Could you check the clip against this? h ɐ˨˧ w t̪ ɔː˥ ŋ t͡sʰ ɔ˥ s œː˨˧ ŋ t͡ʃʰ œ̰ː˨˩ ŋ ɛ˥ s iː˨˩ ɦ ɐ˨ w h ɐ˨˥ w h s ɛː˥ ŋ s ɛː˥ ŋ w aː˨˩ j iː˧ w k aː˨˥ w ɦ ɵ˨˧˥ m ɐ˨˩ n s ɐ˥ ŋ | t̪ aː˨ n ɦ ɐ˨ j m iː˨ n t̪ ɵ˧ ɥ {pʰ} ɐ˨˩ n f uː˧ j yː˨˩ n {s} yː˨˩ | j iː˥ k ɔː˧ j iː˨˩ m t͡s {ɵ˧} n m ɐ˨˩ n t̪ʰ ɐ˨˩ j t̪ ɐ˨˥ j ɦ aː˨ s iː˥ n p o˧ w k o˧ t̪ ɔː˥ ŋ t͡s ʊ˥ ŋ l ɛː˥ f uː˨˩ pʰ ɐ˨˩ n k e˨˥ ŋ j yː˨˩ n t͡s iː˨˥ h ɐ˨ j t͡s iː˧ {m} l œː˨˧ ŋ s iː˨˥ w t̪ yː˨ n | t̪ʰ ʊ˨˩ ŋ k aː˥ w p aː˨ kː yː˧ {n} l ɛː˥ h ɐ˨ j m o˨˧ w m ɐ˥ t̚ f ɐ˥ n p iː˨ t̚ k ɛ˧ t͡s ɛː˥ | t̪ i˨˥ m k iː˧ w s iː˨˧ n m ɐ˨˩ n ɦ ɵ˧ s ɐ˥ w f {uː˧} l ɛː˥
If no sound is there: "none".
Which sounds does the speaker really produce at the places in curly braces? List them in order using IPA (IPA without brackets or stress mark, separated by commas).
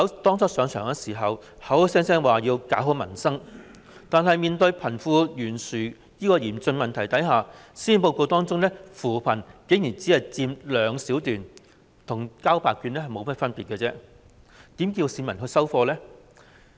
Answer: pʰ, s, ɵ˧, m, n, ɔː˧